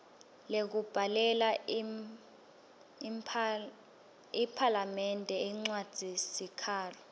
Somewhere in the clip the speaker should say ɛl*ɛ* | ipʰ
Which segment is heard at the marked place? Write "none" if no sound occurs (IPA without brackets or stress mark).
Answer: a